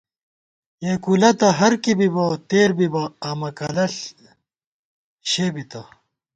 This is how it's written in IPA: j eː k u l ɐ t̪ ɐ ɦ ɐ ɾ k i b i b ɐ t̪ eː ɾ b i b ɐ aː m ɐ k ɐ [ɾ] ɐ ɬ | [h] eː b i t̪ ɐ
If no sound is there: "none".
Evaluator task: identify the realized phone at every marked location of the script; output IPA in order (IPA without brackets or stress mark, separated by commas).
l, ɕ